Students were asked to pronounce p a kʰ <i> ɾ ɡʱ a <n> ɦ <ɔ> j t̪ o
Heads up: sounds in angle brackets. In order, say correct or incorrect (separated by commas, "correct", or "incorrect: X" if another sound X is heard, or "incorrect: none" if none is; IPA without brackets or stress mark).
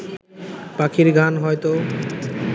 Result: correct, correct, correct